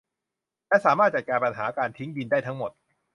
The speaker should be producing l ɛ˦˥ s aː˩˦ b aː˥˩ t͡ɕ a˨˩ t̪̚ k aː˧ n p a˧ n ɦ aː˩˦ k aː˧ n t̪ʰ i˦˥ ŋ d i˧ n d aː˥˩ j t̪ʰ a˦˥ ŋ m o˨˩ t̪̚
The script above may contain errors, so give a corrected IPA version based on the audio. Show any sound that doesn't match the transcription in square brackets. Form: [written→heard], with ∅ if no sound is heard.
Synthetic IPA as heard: l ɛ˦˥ s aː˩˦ [b→m] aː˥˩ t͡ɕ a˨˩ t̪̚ k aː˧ n p a˧ n ɦ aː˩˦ k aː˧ n t̪ʰ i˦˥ ŋ d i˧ n d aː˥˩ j t̪ʰ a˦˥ ŋ m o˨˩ t̪̚